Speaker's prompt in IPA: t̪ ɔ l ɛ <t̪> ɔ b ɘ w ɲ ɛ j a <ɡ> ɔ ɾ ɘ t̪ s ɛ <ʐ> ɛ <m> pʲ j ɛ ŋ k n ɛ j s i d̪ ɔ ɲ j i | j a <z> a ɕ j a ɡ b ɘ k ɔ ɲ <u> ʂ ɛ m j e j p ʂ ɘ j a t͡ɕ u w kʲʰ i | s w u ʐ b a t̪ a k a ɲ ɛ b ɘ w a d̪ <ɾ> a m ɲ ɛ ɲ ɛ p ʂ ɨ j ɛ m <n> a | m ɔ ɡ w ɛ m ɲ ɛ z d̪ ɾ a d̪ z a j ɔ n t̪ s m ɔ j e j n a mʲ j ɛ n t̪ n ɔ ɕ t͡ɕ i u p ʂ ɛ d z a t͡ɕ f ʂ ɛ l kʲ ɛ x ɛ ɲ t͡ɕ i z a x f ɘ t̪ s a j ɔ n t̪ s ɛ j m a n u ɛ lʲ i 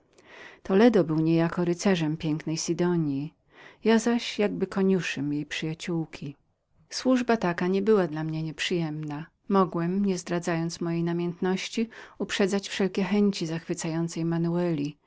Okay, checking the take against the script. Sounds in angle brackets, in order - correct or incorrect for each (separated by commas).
incorrect, incorrect, correct, correct, correct, correct, incorrect, correct